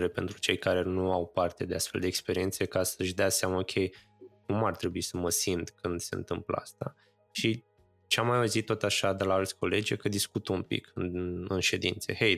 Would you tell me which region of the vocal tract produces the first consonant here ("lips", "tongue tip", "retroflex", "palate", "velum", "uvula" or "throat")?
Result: tongue tip